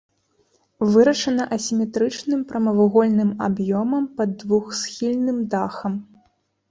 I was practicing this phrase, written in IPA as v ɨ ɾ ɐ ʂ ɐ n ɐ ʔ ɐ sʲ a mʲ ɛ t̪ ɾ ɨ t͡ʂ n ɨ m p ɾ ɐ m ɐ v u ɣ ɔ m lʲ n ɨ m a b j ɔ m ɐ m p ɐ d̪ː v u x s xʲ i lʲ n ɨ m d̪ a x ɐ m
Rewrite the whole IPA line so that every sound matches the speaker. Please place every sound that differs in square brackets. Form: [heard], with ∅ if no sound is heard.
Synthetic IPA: v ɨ ɾ ɐ ʂ ɐ n ɐ ʔ ɐ sʲ [i] mʲ ɛ t̪ ɾ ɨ t͡ʂ n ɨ m p ɾ ɐ m ɐ v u ɣ ɔ [∅] lʲ n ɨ m a b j ɔ m ɐ m p ɐ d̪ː v u x s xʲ i lʲ n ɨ m d̪ a x ɐ m

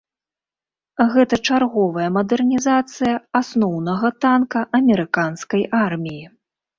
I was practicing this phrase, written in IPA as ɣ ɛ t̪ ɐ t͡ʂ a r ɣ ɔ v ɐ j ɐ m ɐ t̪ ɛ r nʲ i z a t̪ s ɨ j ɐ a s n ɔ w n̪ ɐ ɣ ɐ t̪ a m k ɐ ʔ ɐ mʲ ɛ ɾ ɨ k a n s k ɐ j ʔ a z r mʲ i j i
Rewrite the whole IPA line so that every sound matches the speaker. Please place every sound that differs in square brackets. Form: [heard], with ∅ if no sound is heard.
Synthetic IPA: ɣ ɛ t̪ ɐ t͡ʂ a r ɣ ɔ v ɐ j ɐ m ɐ [d̪] ɛ r nʲ i z a t̪ s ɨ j ɐ a s n ɔ w n̪ ɐ ɣ ɐ t̪ a [n] k ɐ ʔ ɐ mʲ ɛ ɾ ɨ k a n s k ɐ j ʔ a [∅] r mʲ i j i

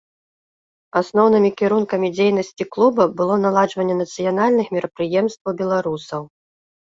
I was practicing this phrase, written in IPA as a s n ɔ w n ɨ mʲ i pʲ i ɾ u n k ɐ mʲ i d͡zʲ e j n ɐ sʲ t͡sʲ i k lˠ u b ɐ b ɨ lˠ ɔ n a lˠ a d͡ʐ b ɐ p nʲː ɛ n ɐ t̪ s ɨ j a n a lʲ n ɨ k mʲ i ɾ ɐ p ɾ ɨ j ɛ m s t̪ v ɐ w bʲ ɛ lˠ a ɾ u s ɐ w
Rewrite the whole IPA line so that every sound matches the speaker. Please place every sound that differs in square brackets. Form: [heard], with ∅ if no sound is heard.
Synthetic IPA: a s n ɔ w n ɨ mʲ i [kʲ] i ɾ u n k ɐ mʲ i d͡zʲ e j n ɐ sʲ t͡sʲ i k lˠ u b ɐ b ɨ lˠ ɔ n a lˠ a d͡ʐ [v] ɐ [∅] nʲː ɛ n ɐ t̪ s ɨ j a n a lʲ n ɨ [x] mʲ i ɾ ɐ p ɾ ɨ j ɛ m s t̪ v ɐ w bʲ ɛ lˠ a ɾ u s ɐ w

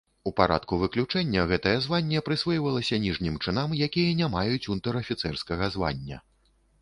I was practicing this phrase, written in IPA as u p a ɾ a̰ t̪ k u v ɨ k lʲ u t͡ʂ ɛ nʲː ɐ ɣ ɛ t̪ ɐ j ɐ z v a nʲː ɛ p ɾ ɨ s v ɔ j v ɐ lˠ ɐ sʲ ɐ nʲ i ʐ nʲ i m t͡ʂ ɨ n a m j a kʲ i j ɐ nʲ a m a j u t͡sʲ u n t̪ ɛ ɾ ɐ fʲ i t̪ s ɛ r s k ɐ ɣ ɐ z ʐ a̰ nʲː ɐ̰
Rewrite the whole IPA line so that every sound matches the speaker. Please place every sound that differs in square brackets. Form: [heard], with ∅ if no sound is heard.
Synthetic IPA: u p a ɾ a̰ t̪ k u v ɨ k lʲ u t͡ʂ ɛ nʲː ɐ ɣ ɛ t̪ ɐ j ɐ z v a nʲː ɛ p ɾ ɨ s v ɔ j v ɐ lˠ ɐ sʲ ɐ nʲ i ʐ nʲ i m t͡ʂ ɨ n a m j a kʲ i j ɐ nʲ a m a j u t͡sʲ u n t̪ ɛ ɾ ɐ fʲ i t̪ s ɛ r s k ɐ ɣ ɐ z [v] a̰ nʲː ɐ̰

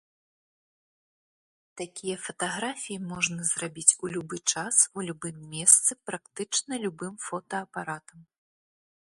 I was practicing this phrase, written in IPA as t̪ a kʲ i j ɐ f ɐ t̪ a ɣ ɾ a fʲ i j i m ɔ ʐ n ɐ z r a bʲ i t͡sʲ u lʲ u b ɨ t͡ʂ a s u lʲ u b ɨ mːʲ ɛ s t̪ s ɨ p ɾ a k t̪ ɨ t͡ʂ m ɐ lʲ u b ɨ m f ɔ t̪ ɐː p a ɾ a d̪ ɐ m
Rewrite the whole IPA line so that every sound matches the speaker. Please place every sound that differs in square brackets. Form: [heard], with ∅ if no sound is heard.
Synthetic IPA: t̪ a kʲ i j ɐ f ɐ t̪ a ɣ ɾ a fʲ i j i m ɔ ʐ n ɐ z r a bʲ i t͡sʲ u lʲ u b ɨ t͡ʂ a s u lʲ u b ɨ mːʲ ɛ s t̪ s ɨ p ɾ a k t̪ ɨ t͡ʂ [n] ɐ lʲ u b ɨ m f ɔ t̪ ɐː p a ɾ a [t̪] ɐ m

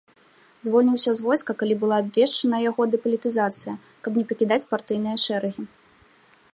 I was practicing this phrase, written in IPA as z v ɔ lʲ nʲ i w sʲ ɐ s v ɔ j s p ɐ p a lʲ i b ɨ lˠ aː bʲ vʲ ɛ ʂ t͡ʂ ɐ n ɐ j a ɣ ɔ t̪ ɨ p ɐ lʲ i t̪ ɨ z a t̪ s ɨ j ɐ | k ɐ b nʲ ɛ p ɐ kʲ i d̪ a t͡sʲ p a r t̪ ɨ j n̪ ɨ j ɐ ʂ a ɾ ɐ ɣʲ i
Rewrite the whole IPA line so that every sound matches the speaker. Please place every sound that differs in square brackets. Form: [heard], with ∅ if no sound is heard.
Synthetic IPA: z v ɔ lʲ nʲ i w sʲ ɐ [z] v ɔ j s [k] ɐ [k] a lʲ i b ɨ lˠ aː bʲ vʲ ɛ ʂ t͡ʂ ɐ n ɐ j a ɣ ɔ [d̪] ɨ p ɐ lʲ i t̪ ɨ z a t̪ s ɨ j ɐ | k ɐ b nʲ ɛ p ɐ kʲ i d̪ a t͡sʲ p a r t̪ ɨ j n̪ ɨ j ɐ ʂ [ɛ] ɾ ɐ ɣʲ i

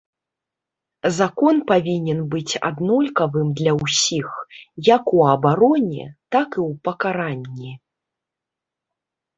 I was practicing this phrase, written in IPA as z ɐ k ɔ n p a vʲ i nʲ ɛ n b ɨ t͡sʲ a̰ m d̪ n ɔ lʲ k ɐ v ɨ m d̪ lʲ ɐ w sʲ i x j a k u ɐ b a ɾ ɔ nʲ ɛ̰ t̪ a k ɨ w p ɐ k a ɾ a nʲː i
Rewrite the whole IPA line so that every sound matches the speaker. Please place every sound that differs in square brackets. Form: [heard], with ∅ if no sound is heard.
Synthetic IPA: z [a] k ɔ n p a vʲ i nʲ ɛ n b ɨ t͡sʲ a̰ [∅] d̪ n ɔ lʲ k ɐ v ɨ m d̪ lʲ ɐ w sʲ i x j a k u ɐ b a ɾ ɔ nʲ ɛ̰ t̪ a k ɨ w p ɐ k a ɾ a nʲː i

